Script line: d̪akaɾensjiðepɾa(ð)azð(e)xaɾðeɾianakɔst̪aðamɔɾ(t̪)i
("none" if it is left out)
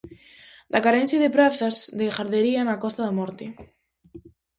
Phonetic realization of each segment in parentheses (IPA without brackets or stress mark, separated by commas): θ, e, t̪